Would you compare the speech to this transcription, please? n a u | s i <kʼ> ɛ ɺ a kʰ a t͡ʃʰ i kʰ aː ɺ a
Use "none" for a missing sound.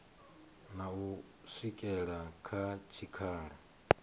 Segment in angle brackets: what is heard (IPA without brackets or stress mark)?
kʼ